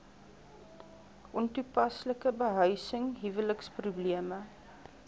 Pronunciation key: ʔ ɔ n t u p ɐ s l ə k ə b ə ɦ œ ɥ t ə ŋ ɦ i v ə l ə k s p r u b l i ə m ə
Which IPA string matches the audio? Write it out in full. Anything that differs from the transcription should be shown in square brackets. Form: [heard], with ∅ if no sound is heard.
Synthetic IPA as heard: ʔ ɔ n t u p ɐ s l ə k ə b ə ɦ œ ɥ [s] ə ŋ ɦ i v ə l ə k s p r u b l i ə m ə